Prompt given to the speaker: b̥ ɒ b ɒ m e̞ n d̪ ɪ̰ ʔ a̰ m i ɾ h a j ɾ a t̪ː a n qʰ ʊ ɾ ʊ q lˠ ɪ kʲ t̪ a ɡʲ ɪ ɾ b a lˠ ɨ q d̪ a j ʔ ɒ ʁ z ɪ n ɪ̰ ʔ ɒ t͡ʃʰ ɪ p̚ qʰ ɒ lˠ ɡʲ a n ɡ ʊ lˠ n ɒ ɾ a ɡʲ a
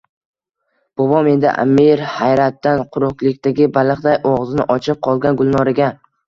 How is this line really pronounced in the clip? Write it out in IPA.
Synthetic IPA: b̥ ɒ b ɒ m e̞ n d̪ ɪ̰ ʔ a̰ m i ɾ h a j ɾ a t̪ː a n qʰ ʊ ɾ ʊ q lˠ ɪ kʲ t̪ a ɡʲ ɪ b a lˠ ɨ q d̪ a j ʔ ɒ ʁ z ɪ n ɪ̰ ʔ ɒ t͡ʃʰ ɪ p̚ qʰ ɒ lˠ ɡʲ a n ɡ ʊ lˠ n ɒ ɾ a ɡʲ a